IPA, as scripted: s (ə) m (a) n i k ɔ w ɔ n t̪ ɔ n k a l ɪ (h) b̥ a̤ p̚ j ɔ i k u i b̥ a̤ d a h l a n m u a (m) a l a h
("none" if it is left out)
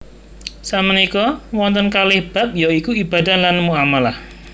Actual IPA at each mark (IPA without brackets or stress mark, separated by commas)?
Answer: a, ə, h, m